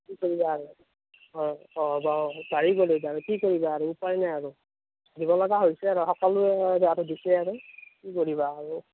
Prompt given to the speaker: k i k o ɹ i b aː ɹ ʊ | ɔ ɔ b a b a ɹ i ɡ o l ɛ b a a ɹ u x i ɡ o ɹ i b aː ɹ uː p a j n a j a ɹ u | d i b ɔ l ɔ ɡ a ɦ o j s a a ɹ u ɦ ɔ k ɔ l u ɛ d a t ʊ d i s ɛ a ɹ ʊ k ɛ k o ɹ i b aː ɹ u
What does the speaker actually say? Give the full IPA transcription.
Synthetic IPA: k i k o ɹ i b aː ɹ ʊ | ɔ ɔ b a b a ɹ i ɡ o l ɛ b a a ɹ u k i k o ɹ i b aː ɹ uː p a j n a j a ɹ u | d i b ɔ l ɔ ɡ a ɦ o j s ɛ a ɹ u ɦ ɔ k ɔ l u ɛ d a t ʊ d i s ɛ a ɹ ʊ k i k o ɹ i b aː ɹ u